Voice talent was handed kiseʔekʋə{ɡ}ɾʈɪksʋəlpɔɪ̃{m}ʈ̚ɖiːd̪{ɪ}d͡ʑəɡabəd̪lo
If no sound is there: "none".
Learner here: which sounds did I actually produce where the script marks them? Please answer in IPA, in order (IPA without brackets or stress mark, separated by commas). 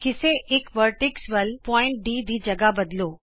none, ɳ, i